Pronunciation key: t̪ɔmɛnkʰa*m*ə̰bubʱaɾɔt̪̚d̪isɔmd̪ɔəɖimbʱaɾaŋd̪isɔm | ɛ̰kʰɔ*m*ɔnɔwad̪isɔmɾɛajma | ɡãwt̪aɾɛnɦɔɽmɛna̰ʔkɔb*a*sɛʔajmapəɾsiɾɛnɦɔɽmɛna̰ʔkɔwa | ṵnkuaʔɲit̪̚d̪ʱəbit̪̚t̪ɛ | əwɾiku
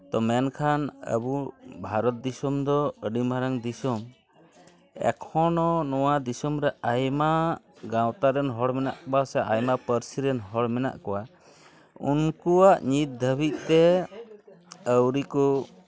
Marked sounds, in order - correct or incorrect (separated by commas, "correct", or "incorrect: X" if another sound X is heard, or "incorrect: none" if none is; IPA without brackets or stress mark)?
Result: incorrect: n, incorrect: n, correct